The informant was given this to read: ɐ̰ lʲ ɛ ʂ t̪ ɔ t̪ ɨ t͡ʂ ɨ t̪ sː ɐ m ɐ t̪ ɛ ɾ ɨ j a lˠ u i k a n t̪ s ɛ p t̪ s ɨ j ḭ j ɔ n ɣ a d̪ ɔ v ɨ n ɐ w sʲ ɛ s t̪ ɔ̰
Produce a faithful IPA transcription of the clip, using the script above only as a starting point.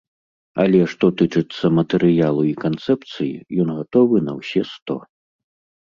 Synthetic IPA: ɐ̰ lʲ ɛ ʂ t̪ ɔ t̪ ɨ t͡ʂ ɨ t̪ sː ɐ m ɐ t̪ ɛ ɾ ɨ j a lˠ u i k a n t̪ s ɛ p t̪ s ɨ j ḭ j ɔ n ɣ a t̪ ɔ v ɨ n ɐ w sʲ ɛ s t̪ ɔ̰